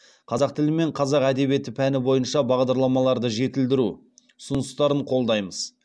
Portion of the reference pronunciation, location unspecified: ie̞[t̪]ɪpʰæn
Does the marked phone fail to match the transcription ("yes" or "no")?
no